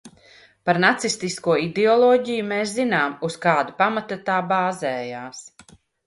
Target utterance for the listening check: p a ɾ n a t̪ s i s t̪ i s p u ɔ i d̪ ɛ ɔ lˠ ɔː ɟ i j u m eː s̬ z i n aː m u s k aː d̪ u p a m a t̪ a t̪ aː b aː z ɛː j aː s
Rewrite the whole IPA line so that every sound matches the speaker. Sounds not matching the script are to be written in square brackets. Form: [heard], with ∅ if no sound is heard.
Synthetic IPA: p a ɾ n a t̪ s i s t̪ i s [k] u ɔ i d̪ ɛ ɔ lˠ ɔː ɟ i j u m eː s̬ z i n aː m u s k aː d̪ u p a m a t̪ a t̪ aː b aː z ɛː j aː s